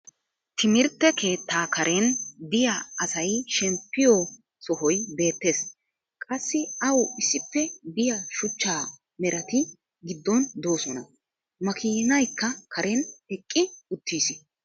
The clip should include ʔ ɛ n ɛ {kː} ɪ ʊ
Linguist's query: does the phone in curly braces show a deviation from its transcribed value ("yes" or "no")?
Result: yes